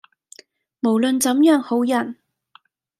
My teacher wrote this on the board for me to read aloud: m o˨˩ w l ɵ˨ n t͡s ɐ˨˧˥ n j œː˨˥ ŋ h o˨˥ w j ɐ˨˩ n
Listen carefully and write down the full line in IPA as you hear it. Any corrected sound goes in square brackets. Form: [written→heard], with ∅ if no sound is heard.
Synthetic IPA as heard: m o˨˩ w l ɵ˨ n t͡s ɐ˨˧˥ [n→m] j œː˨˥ ŋ h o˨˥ w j ɐ˨˩ n